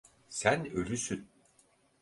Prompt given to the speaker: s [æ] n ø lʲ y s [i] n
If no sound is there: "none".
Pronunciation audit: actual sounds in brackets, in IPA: æ, y

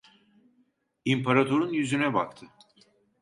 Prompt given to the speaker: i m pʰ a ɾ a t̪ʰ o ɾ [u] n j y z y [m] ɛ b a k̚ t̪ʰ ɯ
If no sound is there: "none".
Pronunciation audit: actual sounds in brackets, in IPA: u, n

